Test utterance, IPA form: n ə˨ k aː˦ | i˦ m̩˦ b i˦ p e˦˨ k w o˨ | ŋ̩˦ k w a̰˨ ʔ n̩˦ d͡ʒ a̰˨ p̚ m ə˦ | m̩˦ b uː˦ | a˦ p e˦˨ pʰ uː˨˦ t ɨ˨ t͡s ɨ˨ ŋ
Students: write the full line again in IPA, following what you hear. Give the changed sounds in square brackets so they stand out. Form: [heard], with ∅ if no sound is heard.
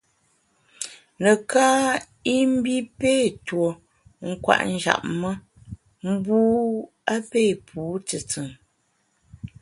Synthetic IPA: n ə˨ k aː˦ | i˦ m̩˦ b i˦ p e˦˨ [t] w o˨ | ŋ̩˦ k w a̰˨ ʔ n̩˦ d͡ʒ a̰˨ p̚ m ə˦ | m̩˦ b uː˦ | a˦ p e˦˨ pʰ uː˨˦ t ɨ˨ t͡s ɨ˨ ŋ